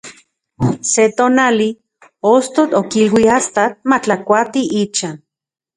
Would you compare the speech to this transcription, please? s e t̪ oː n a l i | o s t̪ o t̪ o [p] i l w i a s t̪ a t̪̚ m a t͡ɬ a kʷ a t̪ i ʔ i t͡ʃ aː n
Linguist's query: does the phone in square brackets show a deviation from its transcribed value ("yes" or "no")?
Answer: yes